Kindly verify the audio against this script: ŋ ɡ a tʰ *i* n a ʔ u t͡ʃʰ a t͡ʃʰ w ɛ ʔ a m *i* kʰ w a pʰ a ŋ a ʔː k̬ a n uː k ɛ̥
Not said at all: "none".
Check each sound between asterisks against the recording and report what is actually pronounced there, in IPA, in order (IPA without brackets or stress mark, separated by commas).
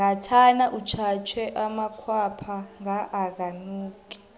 a, a